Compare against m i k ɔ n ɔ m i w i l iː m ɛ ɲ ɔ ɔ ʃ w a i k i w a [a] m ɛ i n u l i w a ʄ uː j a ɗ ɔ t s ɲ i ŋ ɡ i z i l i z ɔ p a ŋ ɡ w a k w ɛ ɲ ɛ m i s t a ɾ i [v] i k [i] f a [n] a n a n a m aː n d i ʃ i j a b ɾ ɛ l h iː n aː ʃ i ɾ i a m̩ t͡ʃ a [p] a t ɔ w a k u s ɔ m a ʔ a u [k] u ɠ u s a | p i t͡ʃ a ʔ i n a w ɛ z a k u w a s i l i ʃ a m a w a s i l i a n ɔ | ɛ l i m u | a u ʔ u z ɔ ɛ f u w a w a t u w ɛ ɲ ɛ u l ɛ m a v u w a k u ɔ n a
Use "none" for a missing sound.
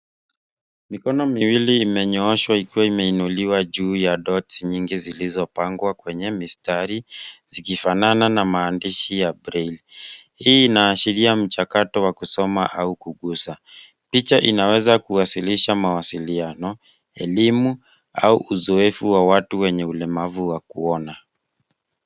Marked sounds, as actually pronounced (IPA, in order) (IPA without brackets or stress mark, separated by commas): i, z, i, n, k, k